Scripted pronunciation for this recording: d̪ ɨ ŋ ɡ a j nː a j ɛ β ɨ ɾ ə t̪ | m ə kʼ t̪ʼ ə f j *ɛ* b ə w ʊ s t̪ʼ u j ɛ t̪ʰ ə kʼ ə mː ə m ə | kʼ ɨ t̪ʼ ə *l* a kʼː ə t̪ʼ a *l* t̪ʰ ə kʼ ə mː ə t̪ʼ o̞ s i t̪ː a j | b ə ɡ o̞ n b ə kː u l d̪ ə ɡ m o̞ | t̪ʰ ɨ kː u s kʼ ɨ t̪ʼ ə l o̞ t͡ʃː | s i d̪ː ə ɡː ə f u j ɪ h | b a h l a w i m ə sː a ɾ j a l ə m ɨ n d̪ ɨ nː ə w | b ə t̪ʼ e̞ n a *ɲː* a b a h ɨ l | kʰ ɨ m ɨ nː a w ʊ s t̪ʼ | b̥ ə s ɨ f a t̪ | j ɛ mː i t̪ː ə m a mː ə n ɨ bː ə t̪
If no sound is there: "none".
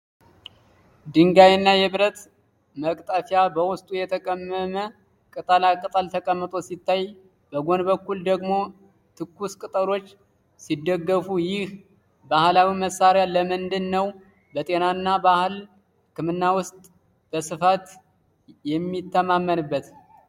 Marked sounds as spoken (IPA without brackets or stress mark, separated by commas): a, l, l, nː